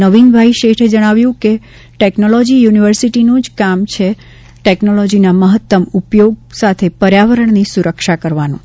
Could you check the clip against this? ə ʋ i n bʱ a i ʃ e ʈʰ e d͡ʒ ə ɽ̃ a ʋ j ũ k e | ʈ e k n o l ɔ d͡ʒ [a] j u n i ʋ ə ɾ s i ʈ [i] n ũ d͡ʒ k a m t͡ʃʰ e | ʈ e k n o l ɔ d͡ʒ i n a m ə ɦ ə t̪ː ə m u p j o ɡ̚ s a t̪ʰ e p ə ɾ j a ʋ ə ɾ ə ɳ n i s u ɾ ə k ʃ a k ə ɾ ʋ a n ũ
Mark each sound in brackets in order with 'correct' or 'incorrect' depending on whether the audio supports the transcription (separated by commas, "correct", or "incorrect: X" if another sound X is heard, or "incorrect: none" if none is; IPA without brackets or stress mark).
incorrect: i, correct